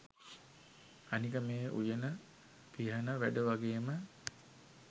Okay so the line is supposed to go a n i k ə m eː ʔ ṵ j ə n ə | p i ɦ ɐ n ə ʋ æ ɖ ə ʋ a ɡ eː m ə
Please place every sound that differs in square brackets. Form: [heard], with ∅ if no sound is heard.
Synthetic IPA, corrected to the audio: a n i k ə m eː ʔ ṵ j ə n ə | p i ɦ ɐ n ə ʋ æ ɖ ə ʋ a ɡ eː m ə